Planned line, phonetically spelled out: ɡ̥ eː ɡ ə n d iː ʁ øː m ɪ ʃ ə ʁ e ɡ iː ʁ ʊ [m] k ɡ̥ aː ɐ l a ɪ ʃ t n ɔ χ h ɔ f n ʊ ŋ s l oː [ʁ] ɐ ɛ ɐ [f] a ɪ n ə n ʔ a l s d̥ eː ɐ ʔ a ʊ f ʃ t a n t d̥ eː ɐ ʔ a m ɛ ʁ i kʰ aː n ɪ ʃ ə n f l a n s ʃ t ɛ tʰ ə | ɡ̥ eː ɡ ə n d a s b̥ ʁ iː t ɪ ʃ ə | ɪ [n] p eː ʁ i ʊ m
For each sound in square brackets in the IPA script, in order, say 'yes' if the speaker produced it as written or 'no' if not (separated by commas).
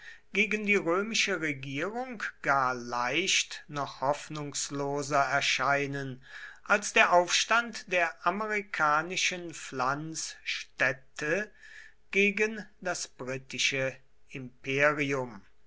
no, no, no, no